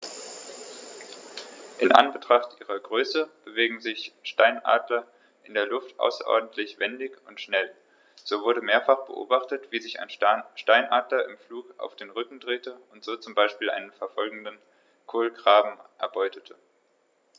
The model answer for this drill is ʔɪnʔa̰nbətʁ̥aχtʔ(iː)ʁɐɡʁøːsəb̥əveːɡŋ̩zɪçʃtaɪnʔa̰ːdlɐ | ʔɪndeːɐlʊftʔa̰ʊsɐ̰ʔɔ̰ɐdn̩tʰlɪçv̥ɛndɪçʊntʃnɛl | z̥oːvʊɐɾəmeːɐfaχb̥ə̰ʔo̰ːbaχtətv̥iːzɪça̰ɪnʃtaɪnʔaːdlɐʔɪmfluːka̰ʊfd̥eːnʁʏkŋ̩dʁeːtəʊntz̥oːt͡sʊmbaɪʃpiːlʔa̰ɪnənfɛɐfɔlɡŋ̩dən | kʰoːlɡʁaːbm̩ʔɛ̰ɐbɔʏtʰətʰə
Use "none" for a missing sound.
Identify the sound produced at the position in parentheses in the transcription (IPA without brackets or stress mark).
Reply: iː